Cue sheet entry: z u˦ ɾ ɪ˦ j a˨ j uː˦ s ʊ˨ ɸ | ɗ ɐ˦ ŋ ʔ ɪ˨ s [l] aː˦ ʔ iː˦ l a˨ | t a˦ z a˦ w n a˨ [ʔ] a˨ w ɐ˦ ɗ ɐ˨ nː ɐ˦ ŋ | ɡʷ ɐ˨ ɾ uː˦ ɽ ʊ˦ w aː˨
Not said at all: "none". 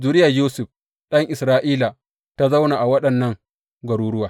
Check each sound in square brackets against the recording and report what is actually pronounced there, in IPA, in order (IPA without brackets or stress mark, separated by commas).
ɾ, ʔ